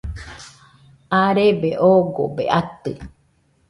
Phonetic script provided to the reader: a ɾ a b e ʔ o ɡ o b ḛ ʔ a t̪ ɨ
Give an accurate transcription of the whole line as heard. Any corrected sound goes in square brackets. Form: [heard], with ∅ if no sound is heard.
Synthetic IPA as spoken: a ɾ [e] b e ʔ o ɡ o b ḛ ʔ a t̪ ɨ